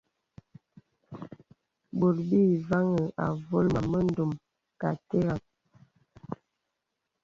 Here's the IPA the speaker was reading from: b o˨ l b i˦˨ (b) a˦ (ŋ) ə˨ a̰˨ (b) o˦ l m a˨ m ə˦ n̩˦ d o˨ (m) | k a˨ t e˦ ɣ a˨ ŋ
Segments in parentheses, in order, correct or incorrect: incorrect, correct, incorrect, correct

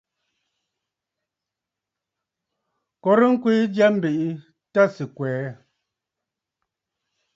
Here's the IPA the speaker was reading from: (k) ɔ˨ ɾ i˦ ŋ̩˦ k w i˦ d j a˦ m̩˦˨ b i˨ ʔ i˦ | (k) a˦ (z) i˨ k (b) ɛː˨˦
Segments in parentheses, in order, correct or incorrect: correct, incorrect, incorrect, incorrect

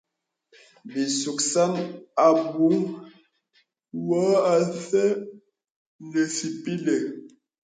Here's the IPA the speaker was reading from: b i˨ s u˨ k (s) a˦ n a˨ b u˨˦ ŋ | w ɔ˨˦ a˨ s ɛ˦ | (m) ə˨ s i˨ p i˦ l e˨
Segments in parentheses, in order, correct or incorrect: correct, incorrect

